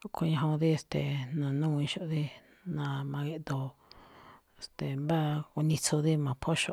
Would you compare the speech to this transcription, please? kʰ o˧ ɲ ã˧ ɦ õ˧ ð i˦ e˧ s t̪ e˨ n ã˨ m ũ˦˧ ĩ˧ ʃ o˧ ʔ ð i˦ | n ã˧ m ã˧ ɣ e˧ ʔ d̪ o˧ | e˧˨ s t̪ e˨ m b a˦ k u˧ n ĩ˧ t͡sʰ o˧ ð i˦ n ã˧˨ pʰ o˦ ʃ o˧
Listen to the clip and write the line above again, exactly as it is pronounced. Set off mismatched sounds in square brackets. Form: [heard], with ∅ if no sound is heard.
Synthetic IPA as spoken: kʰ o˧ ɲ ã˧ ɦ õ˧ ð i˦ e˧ s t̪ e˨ n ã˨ [n] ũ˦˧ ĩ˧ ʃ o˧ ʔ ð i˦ | n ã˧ m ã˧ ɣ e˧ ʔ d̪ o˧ | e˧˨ s t̪ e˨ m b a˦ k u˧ n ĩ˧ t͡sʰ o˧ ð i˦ [m] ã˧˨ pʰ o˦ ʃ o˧